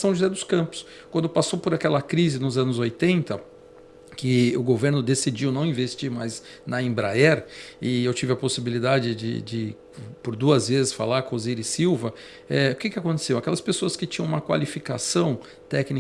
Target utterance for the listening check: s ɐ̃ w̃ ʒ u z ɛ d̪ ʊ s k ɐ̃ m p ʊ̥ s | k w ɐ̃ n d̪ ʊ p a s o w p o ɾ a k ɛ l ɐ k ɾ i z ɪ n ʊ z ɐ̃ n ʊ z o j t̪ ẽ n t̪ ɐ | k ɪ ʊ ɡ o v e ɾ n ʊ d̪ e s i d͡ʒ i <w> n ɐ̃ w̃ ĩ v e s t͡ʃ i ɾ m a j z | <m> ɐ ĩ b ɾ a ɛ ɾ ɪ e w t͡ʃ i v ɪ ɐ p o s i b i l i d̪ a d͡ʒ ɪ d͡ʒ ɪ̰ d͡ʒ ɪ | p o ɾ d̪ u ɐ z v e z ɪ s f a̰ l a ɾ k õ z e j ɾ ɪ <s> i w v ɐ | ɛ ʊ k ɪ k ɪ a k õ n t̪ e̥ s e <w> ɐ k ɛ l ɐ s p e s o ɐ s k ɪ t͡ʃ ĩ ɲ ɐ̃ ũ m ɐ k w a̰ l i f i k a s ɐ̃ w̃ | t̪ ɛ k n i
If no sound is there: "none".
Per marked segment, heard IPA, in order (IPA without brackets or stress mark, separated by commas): w, n, s, w